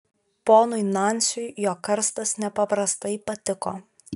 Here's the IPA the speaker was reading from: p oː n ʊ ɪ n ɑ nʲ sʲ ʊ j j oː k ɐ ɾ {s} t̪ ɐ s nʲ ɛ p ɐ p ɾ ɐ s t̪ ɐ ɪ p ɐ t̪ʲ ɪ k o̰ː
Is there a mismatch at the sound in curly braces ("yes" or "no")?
no